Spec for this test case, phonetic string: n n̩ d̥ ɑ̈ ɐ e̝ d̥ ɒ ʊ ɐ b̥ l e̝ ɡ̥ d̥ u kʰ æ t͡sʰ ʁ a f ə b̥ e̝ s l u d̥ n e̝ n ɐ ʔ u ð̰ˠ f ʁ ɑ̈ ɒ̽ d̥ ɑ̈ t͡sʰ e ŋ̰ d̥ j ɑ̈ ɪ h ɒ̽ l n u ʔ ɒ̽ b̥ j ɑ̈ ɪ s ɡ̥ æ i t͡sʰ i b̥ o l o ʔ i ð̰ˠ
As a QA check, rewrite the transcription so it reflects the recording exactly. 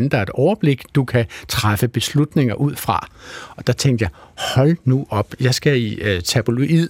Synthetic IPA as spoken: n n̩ d̥ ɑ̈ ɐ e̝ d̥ ɒ ʊ ɐ b̥ l e̝ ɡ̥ d̥ u kʰ æ t͡sʰ ʁ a f ə b̥ e̝ s l u d̥ n e̝ ŋ ɐ ʔ u ð̰ˠ f ʁ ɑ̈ ɒ̽ d̥ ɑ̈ t͡sʰ e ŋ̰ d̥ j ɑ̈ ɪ h ɒ̽ l n u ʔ ɒ̽ b̥ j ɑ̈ ɪ s ɡ̥ æ i t͡sʰ æ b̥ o l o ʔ i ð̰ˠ